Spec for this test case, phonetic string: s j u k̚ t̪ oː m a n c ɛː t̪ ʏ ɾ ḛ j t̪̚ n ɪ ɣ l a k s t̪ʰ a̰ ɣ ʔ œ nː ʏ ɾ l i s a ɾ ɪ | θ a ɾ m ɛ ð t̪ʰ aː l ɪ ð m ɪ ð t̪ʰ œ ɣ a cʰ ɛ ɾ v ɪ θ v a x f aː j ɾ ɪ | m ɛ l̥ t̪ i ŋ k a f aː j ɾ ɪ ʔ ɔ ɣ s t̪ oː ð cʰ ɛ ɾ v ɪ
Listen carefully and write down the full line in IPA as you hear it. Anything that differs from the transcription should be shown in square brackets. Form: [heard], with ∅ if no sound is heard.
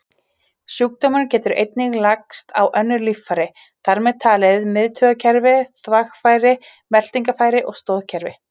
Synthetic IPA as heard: s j u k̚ t̪ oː m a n c ɛː t̪ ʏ ɾ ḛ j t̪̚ n ɪ ɣ l a k s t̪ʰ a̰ [w] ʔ œ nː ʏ ɾ l i [f] a ɾ ɪ | θ a ɾ m ɛ ð t̪ʰ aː l ɪ ð m ɪ ð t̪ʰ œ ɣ a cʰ ɛ ɾ v ɪ θ v a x f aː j ɾ ɪ | m ɛ l̥ t̪ i ŋ k a f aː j ɾ ɪ ʔ ɔ ɣ s t̪ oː ð cʰ ɛ ɾ v ɪ